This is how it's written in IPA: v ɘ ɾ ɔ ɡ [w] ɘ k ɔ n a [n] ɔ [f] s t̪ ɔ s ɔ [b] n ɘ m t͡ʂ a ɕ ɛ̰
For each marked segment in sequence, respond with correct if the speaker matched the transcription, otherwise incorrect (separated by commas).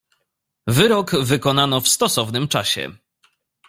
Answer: incorrect, correct, correct, incorrect